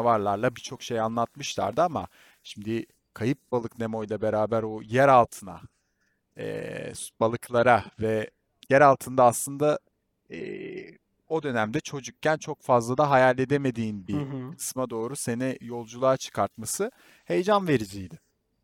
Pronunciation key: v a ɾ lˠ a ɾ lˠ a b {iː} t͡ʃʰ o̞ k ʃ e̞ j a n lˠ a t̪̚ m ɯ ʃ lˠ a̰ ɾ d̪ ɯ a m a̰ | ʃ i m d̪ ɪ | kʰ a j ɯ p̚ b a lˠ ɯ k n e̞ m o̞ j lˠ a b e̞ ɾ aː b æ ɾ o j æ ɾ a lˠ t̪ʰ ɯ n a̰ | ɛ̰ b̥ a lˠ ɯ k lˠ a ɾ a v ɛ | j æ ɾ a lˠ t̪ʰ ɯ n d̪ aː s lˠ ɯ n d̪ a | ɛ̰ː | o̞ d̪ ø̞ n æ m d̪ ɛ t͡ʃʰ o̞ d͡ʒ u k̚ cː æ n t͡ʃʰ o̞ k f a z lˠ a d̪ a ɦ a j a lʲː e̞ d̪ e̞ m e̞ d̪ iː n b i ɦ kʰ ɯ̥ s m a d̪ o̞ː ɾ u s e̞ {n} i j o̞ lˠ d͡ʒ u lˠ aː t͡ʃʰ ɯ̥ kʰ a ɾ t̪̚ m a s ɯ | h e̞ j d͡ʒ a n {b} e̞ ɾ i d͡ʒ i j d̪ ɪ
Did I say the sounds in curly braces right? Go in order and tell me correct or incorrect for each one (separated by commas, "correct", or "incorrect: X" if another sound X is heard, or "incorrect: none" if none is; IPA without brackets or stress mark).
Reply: incorrect: i, correct, incorrect: v